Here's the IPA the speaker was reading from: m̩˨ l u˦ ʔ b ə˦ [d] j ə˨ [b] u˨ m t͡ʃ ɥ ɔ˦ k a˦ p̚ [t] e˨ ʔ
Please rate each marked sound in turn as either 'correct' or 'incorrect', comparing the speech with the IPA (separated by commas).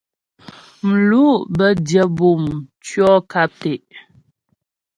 correct, correct, correct